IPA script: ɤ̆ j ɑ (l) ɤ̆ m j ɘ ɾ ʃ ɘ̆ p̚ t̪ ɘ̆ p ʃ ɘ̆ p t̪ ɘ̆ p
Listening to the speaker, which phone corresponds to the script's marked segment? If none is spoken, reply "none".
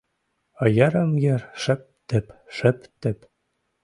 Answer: ɾ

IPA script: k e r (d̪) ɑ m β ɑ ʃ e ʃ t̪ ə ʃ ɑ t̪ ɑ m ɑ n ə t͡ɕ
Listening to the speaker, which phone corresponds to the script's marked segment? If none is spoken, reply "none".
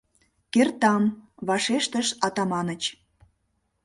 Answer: t̪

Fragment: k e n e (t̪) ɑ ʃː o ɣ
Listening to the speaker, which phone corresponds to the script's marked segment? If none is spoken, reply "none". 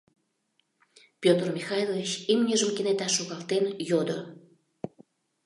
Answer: t̪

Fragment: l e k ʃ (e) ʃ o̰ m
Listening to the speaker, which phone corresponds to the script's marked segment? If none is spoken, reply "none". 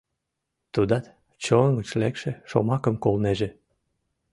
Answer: e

